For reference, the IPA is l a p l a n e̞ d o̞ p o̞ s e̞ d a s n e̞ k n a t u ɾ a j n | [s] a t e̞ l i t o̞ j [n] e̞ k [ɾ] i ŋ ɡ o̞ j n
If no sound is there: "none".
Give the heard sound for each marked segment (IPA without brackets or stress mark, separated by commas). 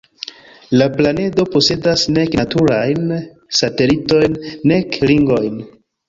s, nː, l